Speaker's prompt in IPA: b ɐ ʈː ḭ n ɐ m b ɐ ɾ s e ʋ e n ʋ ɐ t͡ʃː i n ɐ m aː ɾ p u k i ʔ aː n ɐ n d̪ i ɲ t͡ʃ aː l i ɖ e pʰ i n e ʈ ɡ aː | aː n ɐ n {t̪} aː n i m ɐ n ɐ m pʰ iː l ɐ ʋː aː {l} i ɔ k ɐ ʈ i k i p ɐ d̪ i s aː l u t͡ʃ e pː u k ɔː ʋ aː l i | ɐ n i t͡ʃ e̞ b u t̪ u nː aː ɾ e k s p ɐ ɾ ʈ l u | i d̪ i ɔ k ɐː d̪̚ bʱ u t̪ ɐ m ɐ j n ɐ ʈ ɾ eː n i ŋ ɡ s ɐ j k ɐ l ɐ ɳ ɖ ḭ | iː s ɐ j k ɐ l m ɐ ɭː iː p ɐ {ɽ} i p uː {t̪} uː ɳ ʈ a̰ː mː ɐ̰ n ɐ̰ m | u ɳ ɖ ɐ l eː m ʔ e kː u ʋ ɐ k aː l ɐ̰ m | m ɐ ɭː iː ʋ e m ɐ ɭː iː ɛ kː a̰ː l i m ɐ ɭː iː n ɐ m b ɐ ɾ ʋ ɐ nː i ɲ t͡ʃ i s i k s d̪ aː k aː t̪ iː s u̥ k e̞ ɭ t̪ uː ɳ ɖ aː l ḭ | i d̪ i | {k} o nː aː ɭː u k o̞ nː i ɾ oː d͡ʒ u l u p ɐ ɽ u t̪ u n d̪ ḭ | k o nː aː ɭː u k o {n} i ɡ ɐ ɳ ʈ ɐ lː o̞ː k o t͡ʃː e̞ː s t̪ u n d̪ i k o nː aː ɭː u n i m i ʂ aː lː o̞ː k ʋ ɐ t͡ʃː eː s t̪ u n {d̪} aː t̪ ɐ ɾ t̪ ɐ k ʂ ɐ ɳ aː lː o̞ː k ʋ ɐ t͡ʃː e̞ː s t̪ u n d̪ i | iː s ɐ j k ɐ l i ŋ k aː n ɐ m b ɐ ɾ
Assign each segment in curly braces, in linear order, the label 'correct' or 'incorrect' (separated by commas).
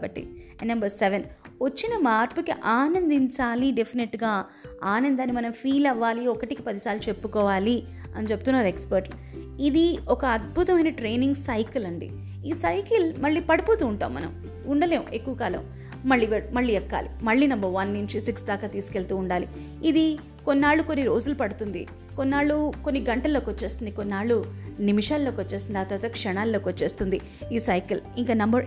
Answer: incorrect, correct, correct, correct, correct, incorrect, correct